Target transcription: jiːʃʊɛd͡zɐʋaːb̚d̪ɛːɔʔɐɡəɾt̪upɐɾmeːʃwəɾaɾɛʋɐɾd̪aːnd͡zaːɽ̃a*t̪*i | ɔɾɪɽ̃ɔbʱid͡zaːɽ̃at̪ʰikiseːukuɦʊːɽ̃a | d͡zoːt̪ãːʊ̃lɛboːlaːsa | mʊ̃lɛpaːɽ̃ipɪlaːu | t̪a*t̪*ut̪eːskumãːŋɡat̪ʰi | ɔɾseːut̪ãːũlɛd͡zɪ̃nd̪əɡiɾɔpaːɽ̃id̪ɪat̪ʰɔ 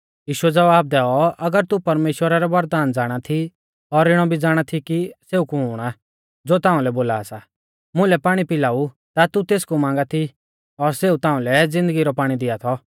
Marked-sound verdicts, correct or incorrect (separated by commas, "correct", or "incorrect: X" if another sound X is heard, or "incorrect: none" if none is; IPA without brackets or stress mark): incorrect: t̪ʰ, correct